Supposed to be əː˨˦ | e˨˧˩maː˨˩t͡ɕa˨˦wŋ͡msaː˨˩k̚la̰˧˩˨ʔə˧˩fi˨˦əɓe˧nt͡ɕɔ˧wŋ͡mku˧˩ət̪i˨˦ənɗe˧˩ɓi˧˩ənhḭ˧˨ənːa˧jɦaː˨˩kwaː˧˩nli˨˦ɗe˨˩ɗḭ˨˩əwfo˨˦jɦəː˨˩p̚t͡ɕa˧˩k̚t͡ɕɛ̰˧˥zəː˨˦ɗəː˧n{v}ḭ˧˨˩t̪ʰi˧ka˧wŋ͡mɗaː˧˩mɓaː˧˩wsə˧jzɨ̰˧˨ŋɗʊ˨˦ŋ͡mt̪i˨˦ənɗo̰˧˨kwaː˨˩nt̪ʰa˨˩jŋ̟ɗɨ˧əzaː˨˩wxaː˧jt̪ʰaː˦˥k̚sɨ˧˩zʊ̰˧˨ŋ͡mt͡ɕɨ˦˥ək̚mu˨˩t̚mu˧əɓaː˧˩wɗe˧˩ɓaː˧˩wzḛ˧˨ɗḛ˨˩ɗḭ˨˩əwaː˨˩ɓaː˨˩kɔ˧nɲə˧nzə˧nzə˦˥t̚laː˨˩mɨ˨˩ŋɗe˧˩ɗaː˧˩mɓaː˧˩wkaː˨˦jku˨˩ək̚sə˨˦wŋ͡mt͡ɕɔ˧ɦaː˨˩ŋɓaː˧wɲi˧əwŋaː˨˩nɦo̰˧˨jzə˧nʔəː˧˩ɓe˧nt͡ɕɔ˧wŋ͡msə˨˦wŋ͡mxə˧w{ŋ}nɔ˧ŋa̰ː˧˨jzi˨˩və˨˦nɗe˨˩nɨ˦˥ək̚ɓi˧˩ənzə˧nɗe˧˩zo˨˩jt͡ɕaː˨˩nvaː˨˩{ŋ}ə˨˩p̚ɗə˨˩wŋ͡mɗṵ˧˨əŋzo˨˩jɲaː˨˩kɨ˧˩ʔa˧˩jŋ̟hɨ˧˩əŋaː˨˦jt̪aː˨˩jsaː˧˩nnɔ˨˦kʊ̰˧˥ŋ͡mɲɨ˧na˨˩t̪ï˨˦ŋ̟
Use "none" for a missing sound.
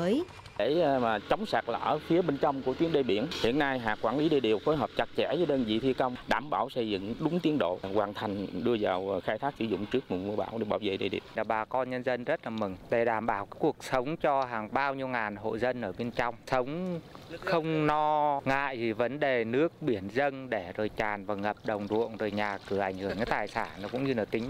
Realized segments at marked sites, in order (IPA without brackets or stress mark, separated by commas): z, ŋ͡m, ŋ